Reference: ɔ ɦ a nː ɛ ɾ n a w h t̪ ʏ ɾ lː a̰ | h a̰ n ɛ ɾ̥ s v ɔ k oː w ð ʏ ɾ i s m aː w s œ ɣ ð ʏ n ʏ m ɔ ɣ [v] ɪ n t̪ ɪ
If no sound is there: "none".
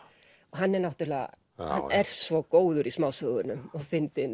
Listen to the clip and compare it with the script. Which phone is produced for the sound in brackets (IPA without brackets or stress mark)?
f